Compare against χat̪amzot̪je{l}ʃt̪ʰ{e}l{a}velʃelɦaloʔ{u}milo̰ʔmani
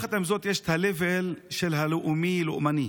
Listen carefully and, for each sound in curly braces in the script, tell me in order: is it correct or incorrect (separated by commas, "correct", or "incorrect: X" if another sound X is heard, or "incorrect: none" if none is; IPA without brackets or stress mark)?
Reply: incorrect: none, incorrect: a, incorrect: e, correct